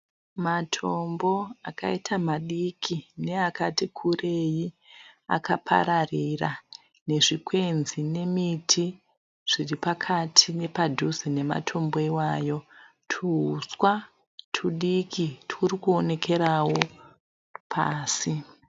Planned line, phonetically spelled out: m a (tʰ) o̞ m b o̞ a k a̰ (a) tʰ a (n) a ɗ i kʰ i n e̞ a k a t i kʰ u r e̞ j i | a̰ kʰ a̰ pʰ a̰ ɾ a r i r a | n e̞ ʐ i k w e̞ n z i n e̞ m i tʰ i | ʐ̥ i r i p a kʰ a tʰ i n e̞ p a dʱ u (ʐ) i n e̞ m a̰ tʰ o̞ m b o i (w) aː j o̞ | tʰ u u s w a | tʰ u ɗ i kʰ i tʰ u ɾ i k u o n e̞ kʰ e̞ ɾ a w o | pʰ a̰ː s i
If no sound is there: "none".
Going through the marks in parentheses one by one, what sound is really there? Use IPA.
tʰ, i, m, z, w

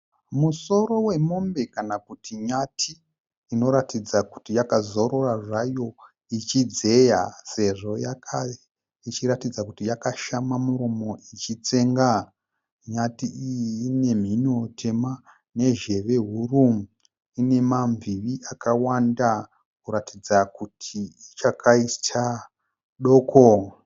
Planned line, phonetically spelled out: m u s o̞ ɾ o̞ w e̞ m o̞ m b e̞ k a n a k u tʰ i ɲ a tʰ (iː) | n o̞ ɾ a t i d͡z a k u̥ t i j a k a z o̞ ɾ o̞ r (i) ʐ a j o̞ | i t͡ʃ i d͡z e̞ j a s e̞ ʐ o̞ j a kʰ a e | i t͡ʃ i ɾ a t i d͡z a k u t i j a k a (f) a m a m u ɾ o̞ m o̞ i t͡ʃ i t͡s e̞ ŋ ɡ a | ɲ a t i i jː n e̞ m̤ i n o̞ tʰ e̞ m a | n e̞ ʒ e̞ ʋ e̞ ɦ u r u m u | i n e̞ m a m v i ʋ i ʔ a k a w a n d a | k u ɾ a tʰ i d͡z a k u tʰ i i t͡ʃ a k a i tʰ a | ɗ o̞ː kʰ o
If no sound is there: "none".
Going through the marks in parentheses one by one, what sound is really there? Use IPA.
iː, a, ʃ

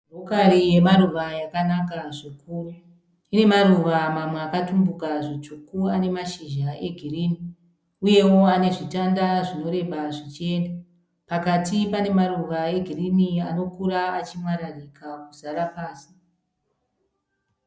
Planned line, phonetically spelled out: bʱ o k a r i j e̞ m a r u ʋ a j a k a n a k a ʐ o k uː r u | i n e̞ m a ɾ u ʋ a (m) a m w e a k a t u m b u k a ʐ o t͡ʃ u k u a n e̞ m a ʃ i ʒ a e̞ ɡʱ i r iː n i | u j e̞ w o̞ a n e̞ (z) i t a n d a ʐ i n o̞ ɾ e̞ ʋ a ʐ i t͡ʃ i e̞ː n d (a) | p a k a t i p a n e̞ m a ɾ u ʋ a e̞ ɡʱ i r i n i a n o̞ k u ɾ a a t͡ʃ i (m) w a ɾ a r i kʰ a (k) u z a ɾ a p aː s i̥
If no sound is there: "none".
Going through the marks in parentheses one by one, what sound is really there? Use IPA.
m, ʐ, a, m, k

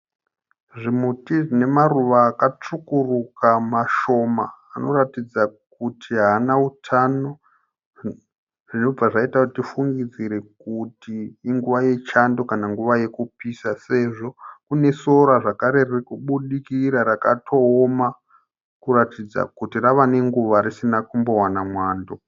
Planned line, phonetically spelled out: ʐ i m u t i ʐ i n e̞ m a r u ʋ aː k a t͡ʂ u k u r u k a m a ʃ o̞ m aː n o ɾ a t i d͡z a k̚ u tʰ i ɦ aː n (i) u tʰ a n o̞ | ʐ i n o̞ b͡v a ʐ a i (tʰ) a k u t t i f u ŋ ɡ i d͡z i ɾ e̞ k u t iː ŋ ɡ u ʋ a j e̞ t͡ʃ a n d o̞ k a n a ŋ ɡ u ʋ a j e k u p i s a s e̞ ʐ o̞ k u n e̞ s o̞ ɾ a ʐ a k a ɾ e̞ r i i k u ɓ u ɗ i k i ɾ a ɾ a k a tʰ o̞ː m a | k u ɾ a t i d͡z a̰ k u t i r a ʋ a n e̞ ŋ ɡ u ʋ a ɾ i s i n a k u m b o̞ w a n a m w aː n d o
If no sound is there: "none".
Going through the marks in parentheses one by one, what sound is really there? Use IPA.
a, t

